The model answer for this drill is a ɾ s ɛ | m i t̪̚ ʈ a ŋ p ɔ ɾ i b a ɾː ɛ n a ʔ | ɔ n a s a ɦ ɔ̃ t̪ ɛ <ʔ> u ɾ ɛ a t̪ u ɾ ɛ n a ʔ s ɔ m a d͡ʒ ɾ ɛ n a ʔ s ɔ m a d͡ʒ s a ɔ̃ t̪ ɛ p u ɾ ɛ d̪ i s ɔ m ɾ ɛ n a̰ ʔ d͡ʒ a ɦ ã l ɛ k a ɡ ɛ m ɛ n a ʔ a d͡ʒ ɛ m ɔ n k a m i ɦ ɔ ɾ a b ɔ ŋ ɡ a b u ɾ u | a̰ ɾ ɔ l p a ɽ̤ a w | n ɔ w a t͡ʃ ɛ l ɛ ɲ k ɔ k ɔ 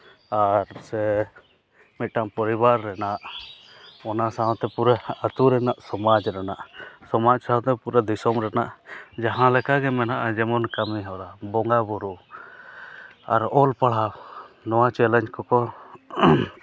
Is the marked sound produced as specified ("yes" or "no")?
no